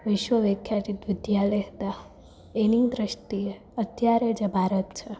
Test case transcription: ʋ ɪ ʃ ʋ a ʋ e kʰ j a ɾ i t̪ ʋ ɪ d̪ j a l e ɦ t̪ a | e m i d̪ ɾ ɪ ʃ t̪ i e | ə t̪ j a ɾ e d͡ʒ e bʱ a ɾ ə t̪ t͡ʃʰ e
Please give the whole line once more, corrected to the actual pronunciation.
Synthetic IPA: ʋ ɪ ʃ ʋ ə ʋ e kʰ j a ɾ i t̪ ʋ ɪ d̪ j a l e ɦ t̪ a | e n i d̪ ɾ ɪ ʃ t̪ i e | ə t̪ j a ɾ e d͡ʒ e bʱ a ɾ ə t̪ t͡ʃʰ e